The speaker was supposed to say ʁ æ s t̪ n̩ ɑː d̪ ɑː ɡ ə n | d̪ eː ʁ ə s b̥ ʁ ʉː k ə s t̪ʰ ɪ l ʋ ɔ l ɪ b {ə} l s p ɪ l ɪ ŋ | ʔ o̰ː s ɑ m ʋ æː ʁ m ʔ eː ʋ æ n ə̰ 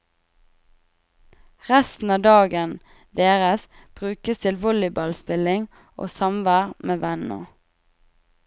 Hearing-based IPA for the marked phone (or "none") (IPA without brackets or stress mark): ɑ